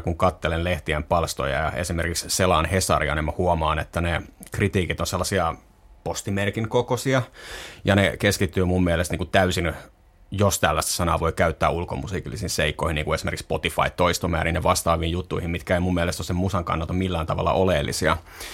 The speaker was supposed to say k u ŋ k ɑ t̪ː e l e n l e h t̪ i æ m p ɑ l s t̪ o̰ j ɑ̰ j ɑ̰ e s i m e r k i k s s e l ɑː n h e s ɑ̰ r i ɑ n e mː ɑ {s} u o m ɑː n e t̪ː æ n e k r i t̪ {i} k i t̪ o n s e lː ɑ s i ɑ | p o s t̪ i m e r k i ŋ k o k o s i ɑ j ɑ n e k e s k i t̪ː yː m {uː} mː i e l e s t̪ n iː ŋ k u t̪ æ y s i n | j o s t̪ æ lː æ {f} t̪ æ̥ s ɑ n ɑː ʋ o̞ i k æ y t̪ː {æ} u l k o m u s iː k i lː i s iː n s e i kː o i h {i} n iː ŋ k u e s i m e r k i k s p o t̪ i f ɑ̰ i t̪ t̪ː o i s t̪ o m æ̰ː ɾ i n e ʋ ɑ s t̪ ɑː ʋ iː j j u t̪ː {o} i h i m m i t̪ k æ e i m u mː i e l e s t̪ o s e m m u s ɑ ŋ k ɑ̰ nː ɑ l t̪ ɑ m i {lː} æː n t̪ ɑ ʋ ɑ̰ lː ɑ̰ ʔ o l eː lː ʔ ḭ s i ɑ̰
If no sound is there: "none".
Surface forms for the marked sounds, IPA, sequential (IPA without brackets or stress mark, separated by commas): h, iː, u, s, æː, i, u, lː